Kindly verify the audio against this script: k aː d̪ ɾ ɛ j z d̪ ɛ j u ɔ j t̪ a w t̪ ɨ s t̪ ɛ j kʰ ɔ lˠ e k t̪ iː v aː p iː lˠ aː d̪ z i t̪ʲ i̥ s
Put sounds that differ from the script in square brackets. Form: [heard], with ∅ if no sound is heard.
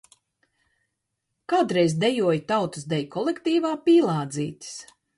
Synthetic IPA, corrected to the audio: k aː d̪ ɾ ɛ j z d̪ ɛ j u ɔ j t̪ a w t̪ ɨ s [d̪] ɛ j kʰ ɔ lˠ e k t̪ iː v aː p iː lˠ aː d̪ z [iː] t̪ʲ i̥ s